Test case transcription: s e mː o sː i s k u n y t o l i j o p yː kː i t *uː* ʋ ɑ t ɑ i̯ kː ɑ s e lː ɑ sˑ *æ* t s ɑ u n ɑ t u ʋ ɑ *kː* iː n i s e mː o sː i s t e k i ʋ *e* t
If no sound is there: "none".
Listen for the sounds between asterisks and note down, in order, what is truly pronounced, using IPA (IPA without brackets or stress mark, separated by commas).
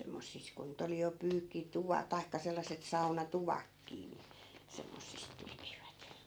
u, e, kː, æ